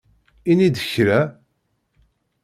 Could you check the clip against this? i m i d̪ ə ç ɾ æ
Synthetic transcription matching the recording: i n i d̪ ə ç ɾ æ